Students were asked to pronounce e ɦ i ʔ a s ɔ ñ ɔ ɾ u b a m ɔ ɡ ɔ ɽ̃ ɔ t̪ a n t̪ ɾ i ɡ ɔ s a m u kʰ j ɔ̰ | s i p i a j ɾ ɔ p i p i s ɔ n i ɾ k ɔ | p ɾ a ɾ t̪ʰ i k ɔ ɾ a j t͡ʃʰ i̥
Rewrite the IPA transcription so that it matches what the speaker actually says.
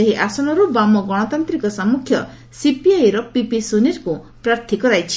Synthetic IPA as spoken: e ɦ i ʔ a s ɔ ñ ɔ ɾ u b a m ɔ ɡ ɔ ɽ̃ ɔ t̪ a n t̪ ɾ i k ɔ s a m u kʰ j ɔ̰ | s i p i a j ɾ ɔ p i p i s u n i ɾ k u | p ɾ a ɾ t̪ʰ i k ɔ ɾ a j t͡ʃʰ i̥

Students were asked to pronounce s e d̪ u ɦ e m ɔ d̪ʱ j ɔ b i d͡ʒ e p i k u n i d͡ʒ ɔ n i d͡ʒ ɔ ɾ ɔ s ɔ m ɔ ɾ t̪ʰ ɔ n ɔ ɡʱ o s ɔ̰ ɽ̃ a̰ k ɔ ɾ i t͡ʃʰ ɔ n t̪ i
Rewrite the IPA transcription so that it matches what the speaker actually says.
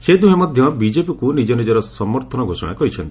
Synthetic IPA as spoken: s e d̪ u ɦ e m ɔ d̪ʱ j ɔ b i d͡ʒ e p i k u n i d͡ʒ ɔ n i d͡ʒ ɔ ɾ ɔ s ɔ m ɔ ɾ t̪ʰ ɔ n ɔ ɡʱ o s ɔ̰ ɽ̃ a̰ k ɔ ɾ i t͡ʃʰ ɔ n t̪ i

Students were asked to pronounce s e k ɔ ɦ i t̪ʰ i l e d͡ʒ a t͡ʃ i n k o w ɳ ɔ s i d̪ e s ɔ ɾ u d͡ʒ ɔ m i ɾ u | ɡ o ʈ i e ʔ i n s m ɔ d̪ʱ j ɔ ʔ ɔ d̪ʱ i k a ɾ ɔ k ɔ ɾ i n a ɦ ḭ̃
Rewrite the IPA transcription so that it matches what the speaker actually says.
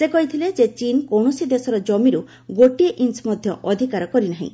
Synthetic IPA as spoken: s e k ɔ ɦ i t̪ʰ i l e d͡ʒ e t͡ʃ i n k o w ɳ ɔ s i d̪ e s ɔ ɾ ɔ d͡ʒ ɔ m i ɾ u | ɡ o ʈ i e ʔ i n s m ɔ d̪ʱ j ɔ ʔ ɔ d̪ʱ i k a ɾ ɔ k ɔ ɾ i n a ɦ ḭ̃

